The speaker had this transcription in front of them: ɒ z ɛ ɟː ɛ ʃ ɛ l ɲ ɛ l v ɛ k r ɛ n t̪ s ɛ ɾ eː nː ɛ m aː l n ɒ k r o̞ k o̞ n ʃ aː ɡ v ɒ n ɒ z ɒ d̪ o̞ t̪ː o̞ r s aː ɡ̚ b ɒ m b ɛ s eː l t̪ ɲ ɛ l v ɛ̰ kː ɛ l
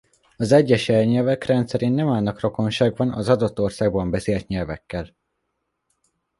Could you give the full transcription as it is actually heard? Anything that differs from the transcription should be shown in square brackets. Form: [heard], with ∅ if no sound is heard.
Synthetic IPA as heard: ɒ z ɛ ɟː ɛ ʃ ɛ l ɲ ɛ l v ɛ k r ɛ n t̪ s ɛ ɾ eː nː ɛ m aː l n ɒ k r o̞ k o̞ n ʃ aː ɡ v ɒ n ɒ z ɒ d̪ o̞ t̪ː o̞ r s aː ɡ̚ b ɒ m b ɛ s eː l t̪ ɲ ɛ l v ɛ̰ kː ɛ l